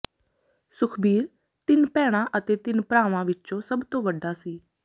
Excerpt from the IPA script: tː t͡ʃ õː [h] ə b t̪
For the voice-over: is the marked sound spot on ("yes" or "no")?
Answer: no